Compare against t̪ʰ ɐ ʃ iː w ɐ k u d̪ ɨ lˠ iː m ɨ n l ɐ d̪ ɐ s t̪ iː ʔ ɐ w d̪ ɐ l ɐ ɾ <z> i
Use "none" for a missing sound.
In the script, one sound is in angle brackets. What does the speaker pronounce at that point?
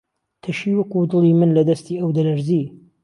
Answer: z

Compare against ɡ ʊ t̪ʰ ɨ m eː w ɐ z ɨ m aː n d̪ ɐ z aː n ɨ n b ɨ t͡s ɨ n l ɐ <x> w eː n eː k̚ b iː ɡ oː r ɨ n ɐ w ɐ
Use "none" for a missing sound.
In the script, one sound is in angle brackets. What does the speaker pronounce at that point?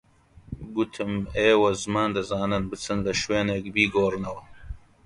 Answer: ʃ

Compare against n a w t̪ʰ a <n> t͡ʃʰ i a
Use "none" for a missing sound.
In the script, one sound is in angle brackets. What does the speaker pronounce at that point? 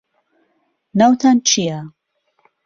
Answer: n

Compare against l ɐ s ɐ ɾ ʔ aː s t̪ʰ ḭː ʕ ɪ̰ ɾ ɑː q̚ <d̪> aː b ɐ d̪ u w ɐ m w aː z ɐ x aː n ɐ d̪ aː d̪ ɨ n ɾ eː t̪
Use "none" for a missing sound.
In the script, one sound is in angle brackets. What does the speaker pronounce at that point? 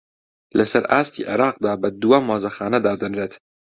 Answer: d̪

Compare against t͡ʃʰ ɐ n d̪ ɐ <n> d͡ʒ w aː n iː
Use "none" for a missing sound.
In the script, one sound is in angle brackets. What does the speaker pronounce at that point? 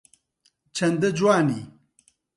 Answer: none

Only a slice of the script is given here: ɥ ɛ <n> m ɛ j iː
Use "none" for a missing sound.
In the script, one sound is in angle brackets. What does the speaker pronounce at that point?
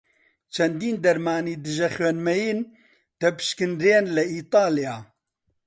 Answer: n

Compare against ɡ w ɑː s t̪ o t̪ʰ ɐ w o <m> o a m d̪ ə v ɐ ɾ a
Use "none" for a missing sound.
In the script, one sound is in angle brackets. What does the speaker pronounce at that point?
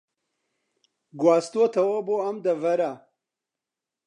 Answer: b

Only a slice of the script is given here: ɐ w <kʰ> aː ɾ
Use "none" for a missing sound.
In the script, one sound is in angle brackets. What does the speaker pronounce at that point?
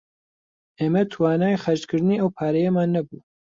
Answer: pʰ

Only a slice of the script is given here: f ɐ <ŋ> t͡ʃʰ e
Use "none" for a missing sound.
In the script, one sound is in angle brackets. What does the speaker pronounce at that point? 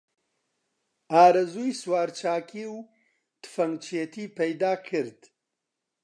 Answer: ŋ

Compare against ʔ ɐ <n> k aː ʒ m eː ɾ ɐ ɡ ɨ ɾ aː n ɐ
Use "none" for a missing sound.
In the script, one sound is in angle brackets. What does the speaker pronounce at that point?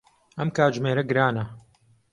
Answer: m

